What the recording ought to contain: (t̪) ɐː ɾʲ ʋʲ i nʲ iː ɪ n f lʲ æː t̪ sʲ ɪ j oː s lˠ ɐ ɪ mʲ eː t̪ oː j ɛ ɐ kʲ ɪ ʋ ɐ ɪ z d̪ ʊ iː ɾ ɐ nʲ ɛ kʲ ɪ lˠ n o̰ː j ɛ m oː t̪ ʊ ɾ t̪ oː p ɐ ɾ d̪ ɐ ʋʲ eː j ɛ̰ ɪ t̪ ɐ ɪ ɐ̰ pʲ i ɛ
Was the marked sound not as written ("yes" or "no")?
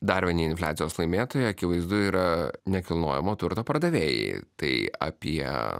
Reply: yes